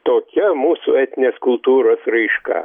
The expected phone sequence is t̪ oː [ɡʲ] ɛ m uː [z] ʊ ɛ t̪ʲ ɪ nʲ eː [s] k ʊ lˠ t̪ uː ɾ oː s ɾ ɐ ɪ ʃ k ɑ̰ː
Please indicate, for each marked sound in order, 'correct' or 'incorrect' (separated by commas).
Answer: incorrect, incorrect, correct